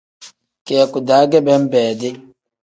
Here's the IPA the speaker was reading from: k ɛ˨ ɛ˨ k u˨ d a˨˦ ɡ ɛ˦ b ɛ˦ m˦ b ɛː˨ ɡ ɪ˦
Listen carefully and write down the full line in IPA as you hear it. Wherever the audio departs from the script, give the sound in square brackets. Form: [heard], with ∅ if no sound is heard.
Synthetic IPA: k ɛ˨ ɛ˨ k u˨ d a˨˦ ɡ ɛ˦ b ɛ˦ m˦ b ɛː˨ [d] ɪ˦